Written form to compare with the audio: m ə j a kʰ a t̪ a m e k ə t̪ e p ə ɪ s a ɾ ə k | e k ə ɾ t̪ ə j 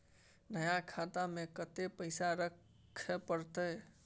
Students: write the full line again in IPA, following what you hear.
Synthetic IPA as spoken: n ə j a kʰ a t̪ a m e k ə t̪ e p ə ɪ s a ɾ ə kʰ | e p ə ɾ t̪ ə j